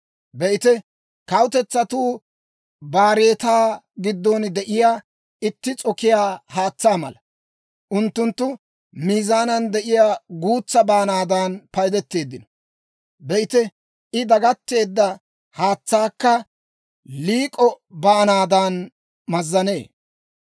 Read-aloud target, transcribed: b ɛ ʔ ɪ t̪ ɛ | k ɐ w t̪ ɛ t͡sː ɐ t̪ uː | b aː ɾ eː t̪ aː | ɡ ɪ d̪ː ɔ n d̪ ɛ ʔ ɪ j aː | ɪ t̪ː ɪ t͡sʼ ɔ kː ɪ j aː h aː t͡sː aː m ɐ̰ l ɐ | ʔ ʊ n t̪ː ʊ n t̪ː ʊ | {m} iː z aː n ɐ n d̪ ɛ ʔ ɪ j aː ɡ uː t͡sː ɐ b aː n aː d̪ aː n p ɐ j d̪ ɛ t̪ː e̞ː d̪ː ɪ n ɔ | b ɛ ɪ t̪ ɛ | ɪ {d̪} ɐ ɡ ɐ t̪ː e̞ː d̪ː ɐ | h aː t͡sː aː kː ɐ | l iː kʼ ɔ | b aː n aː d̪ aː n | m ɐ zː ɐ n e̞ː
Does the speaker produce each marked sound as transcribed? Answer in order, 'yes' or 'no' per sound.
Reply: yes, yes

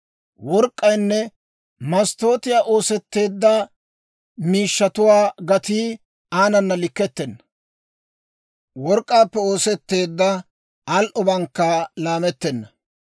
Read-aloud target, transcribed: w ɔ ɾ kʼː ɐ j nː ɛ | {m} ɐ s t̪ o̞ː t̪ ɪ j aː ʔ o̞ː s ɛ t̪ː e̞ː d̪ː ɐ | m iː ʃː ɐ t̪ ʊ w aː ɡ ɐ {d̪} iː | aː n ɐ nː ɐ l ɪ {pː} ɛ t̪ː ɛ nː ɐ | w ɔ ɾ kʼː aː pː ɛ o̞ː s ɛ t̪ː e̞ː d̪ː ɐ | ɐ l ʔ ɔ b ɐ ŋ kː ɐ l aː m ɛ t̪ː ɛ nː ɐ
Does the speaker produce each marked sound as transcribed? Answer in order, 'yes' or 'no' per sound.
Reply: yes, no, no

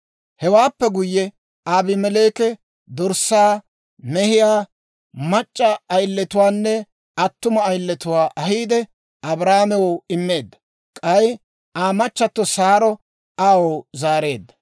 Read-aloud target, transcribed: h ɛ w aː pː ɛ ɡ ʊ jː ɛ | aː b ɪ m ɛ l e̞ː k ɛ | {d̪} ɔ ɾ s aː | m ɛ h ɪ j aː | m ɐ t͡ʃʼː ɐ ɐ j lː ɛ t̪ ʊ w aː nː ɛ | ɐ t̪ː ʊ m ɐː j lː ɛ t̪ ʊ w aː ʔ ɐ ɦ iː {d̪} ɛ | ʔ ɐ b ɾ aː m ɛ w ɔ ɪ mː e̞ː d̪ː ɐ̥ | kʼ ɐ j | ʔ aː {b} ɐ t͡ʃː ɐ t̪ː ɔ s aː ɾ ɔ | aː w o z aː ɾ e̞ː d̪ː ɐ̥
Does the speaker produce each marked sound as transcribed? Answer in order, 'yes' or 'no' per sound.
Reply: yes, yes, no

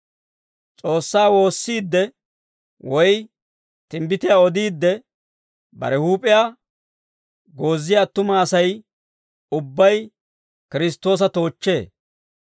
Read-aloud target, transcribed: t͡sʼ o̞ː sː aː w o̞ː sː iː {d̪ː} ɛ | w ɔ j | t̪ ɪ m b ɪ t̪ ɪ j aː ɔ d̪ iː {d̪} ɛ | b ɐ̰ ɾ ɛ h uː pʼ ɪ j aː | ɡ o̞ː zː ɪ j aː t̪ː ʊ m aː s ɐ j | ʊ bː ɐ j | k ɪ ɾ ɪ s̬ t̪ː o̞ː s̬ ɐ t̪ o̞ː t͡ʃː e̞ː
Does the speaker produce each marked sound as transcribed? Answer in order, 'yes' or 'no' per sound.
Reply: yes, no

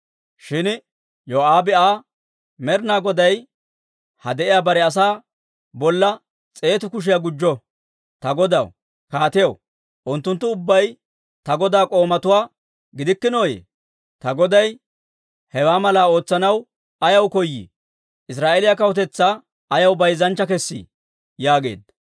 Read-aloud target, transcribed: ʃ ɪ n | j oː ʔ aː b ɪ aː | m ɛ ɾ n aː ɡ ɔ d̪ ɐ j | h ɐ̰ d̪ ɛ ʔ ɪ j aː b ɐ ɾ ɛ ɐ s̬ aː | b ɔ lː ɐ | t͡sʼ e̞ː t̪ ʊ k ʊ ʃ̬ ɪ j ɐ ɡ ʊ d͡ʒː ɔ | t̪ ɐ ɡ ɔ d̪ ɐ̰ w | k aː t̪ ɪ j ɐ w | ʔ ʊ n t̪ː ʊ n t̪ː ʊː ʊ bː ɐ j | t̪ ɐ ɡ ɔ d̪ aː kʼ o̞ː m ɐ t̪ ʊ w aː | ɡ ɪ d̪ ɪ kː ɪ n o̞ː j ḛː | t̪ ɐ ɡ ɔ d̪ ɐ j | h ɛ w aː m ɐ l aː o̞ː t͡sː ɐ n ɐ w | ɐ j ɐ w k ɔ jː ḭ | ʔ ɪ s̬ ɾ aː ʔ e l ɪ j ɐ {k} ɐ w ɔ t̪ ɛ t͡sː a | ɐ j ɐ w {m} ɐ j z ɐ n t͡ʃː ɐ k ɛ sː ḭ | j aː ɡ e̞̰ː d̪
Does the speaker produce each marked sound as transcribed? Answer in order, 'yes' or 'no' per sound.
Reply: yes, no

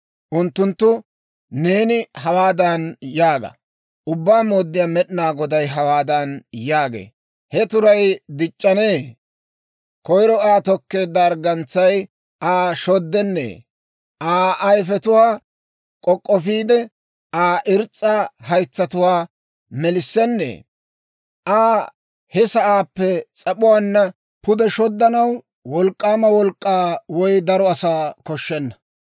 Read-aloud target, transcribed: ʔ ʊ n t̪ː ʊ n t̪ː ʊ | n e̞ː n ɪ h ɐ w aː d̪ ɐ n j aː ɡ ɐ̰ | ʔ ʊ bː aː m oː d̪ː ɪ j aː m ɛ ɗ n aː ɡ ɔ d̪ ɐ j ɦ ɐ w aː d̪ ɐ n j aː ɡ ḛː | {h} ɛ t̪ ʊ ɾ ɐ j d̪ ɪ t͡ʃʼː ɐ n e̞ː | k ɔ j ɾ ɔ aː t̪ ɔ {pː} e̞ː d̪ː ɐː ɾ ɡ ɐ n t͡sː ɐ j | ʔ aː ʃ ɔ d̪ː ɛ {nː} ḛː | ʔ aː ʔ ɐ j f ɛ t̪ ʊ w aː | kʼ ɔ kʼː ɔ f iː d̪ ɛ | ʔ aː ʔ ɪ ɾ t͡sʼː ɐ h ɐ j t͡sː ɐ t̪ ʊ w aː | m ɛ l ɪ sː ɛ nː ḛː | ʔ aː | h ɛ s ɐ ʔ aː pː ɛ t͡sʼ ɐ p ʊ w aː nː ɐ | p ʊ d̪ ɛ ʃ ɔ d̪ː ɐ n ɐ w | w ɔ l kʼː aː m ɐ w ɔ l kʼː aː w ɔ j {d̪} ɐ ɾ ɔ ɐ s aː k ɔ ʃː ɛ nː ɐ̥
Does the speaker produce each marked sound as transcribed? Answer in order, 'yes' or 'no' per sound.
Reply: yes, no, yes, yes

